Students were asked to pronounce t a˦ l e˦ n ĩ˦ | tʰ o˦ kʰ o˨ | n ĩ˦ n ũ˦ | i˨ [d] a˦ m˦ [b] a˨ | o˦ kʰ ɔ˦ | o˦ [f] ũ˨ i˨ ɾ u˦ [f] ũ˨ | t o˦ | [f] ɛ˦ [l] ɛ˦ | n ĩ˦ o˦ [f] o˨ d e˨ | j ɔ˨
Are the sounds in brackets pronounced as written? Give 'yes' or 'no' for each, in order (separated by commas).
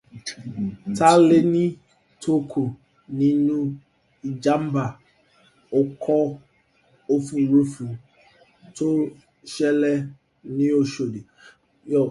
no, yes, yes, yes, no, yes, no